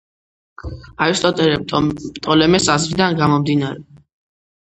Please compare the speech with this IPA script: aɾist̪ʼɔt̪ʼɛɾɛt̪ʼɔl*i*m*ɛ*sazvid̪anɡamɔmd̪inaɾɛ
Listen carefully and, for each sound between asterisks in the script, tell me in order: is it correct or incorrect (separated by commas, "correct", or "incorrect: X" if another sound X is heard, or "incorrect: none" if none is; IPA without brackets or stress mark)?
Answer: incorrect: ɛ, correct